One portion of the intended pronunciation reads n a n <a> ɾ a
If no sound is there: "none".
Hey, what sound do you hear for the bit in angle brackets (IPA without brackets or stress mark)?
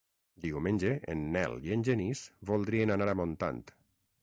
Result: a